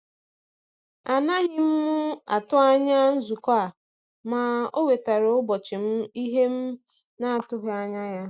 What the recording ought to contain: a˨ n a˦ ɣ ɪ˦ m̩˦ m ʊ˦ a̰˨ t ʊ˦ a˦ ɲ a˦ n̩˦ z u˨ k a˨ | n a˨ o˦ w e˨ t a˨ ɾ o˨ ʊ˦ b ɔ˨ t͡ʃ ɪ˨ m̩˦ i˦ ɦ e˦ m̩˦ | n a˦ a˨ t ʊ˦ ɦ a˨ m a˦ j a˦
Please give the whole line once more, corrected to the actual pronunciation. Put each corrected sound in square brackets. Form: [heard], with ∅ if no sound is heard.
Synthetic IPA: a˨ n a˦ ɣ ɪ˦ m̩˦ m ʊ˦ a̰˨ t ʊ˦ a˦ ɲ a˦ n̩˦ z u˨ k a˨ | [m] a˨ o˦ w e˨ t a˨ ɾ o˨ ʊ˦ b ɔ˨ t͡ʃ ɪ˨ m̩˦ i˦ ɦ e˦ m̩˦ | n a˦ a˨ t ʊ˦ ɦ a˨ [ɲ] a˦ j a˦